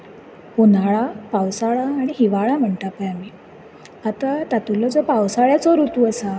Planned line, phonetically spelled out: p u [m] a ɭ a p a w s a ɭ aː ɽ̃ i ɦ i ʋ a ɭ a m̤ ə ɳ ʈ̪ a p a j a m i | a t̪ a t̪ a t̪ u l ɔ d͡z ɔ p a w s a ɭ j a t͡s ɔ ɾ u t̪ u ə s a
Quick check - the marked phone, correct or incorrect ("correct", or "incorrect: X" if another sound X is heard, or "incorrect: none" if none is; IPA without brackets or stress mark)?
incorrect: n